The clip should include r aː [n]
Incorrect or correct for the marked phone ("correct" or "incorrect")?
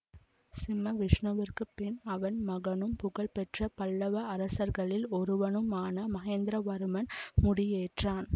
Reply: correct